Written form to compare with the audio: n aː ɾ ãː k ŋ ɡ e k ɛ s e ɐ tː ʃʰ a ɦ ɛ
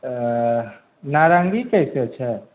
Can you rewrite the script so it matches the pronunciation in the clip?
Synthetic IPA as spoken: n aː ɾ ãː ŋ ɡ i k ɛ s e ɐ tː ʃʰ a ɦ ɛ